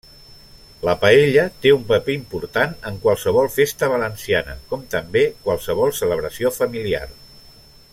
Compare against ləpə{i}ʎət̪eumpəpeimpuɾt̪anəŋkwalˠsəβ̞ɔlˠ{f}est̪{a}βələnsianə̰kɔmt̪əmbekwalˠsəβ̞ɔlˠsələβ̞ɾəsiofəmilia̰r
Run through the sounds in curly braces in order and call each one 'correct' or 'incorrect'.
incorrect: e, correct, incorrect: ə

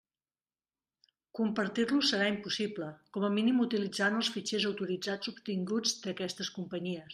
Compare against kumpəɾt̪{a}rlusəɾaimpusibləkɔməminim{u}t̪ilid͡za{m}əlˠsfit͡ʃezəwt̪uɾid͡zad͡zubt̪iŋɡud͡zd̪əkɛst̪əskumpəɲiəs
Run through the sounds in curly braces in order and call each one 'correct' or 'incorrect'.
incorrect: i, correct, incorrect: n

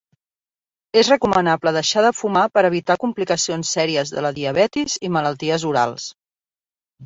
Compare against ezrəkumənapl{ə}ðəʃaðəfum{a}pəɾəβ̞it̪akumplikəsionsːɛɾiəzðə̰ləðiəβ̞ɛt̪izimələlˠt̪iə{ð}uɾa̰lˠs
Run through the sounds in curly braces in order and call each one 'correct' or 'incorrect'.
correct, correct, incorrect: z

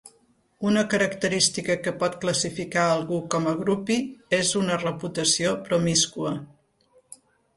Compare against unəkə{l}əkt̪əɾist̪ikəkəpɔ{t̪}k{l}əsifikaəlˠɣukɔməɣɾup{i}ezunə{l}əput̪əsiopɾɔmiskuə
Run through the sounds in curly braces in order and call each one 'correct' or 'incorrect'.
incorrect: ɾ, correct, correct, correct, incorrect: r

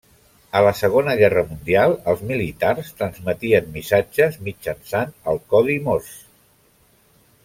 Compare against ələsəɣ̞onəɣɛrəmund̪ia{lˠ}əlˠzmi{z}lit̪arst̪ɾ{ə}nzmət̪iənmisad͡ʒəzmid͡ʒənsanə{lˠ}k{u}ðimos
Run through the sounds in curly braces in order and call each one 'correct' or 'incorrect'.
correct, incorrect: none, correct, correct, incorrect: ɔ

